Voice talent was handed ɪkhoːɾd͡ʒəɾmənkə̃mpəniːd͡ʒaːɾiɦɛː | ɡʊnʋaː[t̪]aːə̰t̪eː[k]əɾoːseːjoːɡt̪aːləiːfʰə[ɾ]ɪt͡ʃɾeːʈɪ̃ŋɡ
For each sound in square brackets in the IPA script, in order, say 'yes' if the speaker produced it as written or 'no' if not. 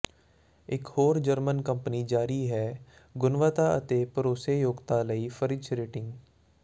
yes, no, yes

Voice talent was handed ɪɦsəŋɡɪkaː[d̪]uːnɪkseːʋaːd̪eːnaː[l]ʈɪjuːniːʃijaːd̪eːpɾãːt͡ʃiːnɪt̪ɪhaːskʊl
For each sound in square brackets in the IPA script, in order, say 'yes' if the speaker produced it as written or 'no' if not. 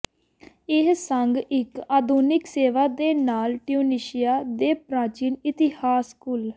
yes, yes

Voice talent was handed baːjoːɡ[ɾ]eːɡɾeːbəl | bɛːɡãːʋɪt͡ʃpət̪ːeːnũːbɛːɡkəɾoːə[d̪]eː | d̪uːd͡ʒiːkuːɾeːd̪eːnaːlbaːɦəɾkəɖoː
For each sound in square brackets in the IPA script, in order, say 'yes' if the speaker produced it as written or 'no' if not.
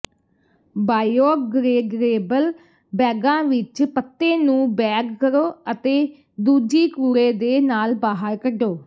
yes, no

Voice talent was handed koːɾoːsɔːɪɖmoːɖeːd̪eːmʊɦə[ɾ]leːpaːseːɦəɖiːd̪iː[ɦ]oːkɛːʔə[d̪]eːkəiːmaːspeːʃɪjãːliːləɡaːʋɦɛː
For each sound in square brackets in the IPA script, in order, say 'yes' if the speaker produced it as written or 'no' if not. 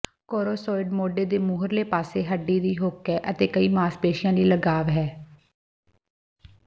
yes, yes, no

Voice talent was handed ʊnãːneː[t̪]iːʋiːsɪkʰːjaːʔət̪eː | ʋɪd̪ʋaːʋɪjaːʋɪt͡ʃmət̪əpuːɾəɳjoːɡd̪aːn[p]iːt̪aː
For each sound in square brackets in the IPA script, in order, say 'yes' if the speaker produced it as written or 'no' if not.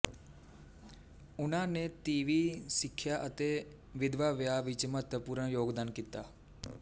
yes, no

